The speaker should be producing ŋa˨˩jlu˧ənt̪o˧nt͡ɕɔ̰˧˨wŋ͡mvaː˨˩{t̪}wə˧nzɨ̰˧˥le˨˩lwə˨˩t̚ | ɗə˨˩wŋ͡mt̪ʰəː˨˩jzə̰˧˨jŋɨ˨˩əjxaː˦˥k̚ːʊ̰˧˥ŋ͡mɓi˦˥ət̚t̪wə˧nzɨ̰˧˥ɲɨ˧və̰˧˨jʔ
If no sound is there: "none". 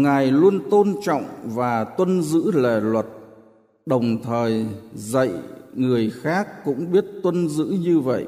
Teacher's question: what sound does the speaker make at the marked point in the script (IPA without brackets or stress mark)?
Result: t̪